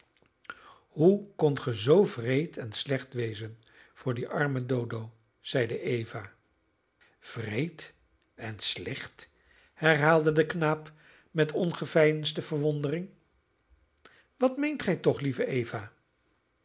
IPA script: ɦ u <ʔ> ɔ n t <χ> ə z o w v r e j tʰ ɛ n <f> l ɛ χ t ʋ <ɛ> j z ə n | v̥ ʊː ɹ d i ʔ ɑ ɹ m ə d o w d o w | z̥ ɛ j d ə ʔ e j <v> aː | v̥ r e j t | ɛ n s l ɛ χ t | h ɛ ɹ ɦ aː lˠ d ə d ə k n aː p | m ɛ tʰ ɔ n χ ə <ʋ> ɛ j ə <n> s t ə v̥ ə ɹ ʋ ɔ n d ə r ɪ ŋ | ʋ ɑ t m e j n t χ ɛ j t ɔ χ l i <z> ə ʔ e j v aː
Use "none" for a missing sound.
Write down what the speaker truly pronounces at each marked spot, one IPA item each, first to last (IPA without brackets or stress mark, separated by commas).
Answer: k, χ, s, e, v, v, n, v